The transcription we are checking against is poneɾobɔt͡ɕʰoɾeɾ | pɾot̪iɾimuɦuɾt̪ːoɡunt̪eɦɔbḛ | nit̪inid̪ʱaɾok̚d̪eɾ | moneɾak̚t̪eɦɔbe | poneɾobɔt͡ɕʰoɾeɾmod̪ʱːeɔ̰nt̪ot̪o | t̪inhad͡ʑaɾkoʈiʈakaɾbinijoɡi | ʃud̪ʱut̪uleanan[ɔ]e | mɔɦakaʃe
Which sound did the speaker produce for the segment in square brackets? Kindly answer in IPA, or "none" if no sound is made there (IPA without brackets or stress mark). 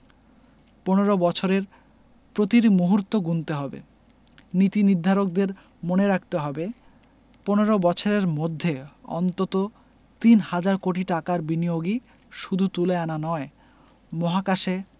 ɔ